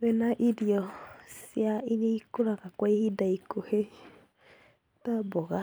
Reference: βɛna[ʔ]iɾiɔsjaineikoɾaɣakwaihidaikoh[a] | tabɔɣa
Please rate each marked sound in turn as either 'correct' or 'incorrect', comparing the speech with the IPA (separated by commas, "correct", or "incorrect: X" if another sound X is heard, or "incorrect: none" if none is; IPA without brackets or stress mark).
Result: correct, incorrect: e